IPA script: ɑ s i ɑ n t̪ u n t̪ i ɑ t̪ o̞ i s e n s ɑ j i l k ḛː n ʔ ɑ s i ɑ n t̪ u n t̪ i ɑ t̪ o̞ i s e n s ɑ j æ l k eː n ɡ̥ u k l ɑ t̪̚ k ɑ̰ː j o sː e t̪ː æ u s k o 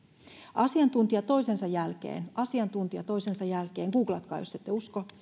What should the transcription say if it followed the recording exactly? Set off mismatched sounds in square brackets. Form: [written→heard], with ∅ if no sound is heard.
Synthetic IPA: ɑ s i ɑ n t̪ u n t̪ i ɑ t̪ o̞ i s e n s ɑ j [i→æ] l k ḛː n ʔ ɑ s i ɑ n t̪ u n t̪ i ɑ t̪ o̞ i s e n s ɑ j æ l k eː [n→ŋ] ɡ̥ [u→uː] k l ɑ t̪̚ k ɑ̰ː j o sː e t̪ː [æ→e] u s k o